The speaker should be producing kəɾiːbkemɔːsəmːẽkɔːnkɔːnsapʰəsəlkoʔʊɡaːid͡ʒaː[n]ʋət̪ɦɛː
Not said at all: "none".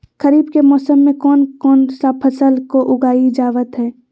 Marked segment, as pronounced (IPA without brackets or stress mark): none